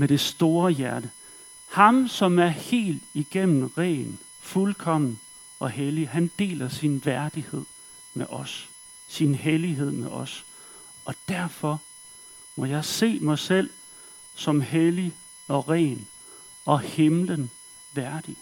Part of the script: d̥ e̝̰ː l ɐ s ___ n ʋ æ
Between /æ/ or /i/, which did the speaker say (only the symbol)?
i